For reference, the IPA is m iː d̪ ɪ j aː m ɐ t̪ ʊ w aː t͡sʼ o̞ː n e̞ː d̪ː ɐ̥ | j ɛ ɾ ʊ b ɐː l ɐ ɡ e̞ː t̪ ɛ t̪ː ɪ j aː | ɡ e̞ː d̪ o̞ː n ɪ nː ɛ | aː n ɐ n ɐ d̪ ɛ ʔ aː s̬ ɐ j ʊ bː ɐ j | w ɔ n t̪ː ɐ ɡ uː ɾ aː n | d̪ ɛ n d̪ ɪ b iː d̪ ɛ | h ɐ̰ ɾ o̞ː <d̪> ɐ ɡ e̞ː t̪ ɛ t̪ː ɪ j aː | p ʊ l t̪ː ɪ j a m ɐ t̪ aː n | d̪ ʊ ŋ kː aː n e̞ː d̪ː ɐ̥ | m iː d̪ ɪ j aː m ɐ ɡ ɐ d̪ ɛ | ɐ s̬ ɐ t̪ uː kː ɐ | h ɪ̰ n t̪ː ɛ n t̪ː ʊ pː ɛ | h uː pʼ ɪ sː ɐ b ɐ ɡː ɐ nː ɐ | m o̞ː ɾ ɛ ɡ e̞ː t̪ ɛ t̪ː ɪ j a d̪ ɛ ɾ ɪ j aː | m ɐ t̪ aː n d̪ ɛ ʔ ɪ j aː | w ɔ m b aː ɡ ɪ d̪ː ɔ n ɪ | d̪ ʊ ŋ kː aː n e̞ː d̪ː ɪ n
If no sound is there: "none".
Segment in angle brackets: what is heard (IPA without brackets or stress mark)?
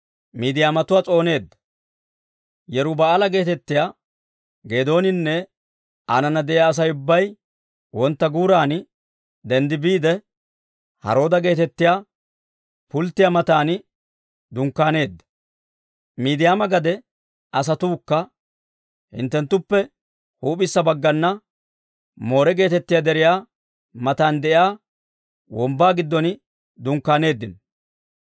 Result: d̪